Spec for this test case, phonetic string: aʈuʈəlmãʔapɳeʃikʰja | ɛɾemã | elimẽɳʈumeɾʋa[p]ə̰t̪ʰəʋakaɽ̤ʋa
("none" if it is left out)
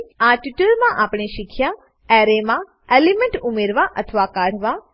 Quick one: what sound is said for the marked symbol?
ʔ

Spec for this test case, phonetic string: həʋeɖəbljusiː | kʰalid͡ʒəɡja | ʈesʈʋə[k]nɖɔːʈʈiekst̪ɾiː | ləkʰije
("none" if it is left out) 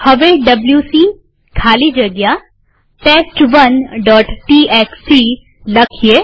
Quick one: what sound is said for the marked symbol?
none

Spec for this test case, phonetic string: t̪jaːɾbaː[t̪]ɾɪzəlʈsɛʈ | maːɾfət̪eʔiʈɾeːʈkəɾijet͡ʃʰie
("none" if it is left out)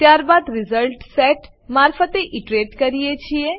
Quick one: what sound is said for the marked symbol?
d̪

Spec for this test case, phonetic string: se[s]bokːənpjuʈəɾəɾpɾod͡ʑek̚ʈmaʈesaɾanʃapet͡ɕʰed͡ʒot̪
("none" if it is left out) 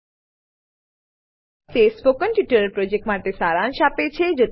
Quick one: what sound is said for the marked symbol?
s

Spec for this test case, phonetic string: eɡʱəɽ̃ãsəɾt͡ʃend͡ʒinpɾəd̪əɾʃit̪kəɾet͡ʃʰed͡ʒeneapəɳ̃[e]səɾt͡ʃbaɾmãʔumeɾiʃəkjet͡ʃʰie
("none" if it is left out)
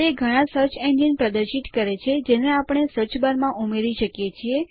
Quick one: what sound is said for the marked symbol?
e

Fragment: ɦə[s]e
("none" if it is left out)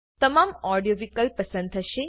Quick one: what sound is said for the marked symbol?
ʃ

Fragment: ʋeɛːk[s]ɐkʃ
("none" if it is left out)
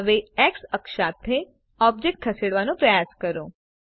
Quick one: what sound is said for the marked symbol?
s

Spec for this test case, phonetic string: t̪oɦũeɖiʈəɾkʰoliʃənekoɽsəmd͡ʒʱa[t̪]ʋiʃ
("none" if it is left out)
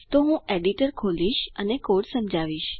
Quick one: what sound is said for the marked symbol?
none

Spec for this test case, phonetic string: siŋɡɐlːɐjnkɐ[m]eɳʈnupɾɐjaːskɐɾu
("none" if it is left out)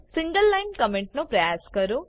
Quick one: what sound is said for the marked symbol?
m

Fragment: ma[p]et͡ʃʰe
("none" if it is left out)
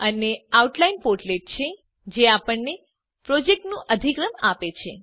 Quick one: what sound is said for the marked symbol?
p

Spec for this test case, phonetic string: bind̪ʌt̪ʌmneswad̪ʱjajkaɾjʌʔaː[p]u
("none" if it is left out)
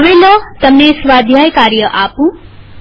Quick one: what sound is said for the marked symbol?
p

